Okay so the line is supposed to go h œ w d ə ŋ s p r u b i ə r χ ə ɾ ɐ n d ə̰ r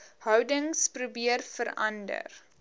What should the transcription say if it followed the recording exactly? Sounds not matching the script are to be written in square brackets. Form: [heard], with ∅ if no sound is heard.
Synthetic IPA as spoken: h œ w d ə ŋ s p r u b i ə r [f] ə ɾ ɐ n d ə̰ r